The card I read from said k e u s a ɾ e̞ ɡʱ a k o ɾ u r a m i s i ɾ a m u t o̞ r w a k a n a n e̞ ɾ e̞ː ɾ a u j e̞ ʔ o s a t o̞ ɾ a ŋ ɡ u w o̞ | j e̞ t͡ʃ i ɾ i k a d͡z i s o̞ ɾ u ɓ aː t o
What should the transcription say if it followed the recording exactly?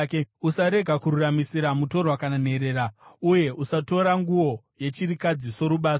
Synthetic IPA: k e u s a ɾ e̞ ɡʱ a k u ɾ u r a m i s i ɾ a m u t o̞ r w a k a n a n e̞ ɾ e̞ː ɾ a u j e̞ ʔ u s a t o̞ ɾ a ŋ ɡ u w o̞ | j e̞ t͡ʃ i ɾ i k a d͡z i s o̞ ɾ u ɓ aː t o